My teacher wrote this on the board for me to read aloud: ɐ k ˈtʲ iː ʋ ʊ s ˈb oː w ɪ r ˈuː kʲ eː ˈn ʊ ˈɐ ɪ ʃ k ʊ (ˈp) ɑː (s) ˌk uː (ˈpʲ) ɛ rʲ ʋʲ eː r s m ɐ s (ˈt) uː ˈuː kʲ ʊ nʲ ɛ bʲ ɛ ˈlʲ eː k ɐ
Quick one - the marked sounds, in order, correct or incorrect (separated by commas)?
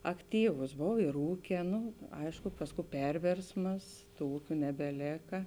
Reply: correct, correct, correct, correct